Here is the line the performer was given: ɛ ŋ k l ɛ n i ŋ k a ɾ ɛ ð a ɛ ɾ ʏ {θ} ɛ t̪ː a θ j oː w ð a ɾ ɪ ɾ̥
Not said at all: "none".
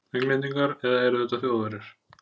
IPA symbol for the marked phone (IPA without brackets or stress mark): θ